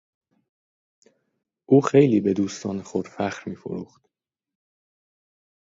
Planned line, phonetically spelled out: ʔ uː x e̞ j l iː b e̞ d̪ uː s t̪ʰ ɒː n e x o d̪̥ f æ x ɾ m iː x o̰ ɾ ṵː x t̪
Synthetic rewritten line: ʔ uː x e̞ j l iː b e̞ d̪ uː s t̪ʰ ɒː n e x o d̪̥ f æ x ɾ m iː f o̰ ɾ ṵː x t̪